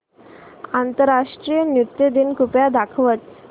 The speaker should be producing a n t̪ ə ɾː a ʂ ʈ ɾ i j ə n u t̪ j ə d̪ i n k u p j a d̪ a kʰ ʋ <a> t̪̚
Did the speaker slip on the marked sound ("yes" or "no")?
yes